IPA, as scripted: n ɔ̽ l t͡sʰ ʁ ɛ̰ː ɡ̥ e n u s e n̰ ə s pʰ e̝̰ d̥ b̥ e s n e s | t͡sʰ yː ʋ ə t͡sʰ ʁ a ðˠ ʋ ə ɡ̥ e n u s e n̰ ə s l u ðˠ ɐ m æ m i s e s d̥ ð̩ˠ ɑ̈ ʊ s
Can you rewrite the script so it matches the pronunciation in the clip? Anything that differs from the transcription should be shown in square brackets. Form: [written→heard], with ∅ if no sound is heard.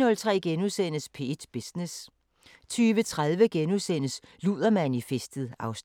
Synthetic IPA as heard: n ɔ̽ l t͡sʰ ʁ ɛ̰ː ɡ̥ e n u s e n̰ ə s pʰ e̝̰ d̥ b̥ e s n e s | t͡sʰ yː ʋ ə t͡sʰ ʁ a ðˠ ʋ ə ɡ̥ e n u s e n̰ ə s l u ðˠ ɐ m æ [m→n] i [s→f] e s d̥ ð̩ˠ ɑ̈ ʊ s